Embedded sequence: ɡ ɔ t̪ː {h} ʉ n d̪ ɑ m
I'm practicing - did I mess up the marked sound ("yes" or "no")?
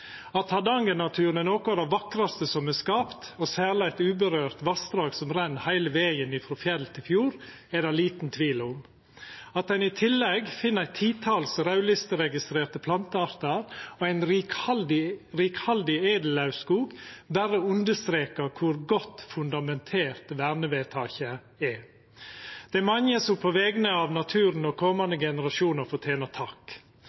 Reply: yes